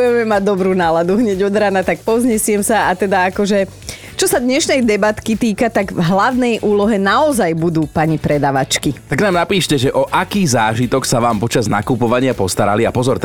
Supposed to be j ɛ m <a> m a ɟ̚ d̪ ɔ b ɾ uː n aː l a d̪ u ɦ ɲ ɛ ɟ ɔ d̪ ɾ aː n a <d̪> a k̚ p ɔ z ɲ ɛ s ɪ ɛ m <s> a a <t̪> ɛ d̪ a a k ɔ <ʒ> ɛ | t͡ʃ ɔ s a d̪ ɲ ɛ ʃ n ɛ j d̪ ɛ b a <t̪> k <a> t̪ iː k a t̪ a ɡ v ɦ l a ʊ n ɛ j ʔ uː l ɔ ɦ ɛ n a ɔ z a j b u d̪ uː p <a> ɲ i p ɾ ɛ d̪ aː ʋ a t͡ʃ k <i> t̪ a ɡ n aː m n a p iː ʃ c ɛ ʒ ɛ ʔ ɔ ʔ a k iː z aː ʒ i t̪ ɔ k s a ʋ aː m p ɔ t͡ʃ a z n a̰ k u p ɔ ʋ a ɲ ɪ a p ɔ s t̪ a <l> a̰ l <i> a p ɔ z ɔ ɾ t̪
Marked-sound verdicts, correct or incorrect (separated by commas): incorrect, incorrect, correct, correct, correct, correct, incorrect, correct, correct, incorrect, correct